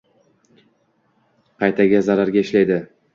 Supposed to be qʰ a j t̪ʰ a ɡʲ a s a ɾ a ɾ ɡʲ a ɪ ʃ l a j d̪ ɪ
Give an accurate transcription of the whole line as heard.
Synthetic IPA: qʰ ɑ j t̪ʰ a ɡʲ a z a ɾ a ɾ ɡʲ a ɪ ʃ l a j d̪ ɪ